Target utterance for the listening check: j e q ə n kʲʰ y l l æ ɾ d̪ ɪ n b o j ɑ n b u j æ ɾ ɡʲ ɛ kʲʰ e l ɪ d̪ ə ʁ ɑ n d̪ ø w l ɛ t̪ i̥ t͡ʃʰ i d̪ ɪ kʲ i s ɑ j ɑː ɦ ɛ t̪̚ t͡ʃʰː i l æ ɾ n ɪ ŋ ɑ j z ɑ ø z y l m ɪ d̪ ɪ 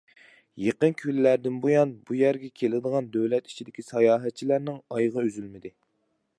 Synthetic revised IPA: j e q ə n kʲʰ y l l æ ɾ d̪ ɪ n b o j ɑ n b u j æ ɾ ɡʲ ɛ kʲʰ e l ɪ d̪ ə ʁ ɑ n d̪ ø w l ɛ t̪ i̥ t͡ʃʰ i d̪ ɪ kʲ i s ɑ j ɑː ɦ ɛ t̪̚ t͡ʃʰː i l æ ɾ n ɪ ŋ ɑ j ʁ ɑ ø z y l m ɪ d̪ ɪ